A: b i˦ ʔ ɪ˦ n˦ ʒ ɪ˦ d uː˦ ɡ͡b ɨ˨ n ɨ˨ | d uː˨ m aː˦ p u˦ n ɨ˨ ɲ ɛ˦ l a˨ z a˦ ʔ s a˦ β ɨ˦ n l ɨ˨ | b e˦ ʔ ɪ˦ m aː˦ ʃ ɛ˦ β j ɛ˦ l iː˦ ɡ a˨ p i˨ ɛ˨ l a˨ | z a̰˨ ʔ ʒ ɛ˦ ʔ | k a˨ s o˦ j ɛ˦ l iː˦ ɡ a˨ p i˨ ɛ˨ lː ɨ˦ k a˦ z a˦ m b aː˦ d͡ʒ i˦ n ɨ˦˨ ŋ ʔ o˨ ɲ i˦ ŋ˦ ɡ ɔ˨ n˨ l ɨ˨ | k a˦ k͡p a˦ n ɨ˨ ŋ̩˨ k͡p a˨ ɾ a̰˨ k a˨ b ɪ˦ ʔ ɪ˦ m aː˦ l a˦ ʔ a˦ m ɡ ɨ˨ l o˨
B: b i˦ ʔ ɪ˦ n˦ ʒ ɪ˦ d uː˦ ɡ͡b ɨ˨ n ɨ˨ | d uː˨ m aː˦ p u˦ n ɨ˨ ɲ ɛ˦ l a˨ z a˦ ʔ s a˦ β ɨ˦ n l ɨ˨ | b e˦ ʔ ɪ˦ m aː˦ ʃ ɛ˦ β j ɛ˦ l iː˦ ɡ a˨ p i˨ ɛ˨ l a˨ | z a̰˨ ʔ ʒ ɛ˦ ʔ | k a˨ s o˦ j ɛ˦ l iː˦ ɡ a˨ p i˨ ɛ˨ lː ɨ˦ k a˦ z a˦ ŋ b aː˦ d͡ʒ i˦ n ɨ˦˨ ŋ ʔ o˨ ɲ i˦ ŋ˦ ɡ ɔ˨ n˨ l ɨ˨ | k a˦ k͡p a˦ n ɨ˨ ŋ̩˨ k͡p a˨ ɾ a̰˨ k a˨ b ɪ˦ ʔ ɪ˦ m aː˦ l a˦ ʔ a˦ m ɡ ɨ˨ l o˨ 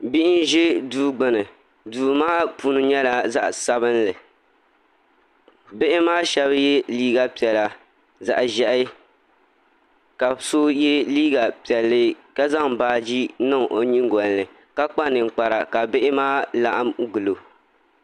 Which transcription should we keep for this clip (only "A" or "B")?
B